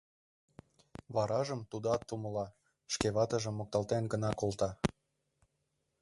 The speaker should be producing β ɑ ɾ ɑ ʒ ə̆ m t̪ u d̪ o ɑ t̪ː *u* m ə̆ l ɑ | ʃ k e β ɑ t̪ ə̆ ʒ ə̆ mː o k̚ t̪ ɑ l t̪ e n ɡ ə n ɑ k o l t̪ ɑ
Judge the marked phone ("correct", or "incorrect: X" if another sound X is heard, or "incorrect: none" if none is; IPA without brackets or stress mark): correct